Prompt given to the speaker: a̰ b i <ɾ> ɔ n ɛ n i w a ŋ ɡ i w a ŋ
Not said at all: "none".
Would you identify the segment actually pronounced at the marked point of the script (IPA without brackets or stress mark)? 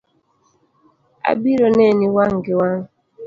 ɾ